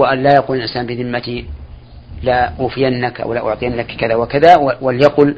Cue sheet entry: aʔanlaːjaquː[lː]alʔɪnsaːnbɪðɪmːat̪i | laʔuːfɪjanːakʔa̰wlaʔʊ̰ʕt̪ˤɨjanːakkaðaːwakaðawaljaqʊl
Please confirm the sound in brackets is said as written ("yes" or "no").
no